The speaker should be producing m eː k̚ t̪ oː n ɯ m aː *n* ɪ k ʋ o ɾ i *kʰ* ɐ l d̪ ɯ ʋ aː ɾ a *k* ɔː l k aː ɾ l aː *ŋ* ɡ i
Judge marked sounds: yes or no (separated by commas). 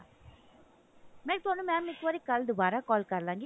no, no, yes, yes